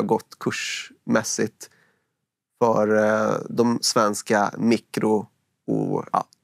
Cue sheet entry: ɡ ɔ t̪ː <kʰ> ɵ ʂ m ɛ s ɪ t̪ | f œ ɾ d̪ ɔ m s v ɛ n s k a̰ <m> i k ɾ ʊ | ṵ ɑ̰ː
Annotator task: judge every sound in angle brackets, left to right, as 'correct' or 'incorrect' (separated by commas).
correct, correct